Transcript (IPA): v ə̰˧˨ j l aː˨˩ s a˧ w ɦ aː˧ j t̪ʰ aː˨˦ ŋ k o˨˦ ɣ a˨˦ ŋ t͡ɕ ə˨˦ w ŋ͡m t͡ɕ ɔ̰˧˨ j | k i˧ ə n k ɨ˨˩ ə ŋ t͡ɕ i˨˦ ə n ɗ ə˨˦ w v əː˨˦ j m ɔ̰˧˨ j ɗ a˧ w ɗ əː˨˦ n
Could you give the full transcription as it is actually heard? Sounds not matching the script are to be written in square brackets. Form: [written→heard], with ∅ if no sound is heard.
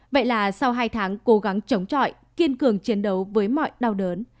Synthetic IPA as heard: v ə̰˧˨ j l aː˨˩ s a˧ w ɦ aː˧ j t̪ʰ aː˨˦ ŋ k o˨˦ ɣ a˨˦ ŋ t͡ɕ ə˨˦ w ŋ͡m t͡ɕ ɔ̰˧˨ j | k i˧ ə n k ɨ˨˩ ə ŋ t͡ɕ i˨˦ ə n ɗ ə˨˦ w v əː˨˦ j m ɔ̰˧˨ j ɗ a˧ w ɗ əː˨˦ n